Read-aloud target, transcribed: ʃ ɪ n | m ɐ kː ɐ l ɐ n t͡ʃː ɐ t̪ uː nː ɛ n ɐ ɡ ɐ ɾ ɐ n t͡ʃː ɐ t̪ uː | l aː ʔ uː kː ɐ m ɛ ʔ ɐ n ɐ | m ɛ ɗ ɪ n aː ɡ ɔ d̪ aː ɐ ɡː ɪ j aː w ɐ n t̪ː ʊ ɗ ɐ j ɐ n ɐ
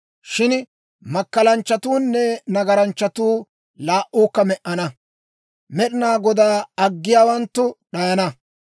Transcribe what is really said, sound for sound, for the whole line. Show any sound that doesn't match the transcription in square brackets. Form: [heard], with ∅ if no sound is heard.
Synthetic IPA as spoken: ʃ ɪ n | m ɐ kː ɐ l ɐ n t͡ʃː ɐ t̪ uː nː ɛ n ɐ ɡ ɐ ɾ ɐ n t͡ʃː ɐ t̪ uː | l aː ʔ uː kː ɐ m ɛ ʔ ɐ n ɐ | m ɛ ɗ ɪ n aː ɡ ɔ d̪ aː ɐ ɡː ɪ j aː w ɐ n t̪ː ʊ ɗ ɐ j ɐ n ɐ